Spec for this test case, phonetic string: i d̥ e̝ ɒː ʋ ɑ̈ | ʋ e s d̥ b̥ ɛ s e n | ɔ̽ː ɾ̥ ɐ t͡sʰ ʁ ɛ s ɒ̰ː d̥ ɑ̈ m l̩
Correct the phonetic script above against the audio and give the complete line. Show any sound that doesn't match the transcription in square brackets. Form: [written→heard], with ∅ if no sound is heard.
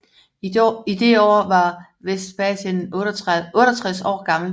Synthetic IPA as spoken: i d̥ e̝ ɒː ʋ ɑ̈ | ʋ e s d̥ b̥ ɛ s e n | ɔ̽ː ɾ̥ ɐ t͡sʰ ʁ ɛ s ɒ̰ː [d̥→ɡ̥] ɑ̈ m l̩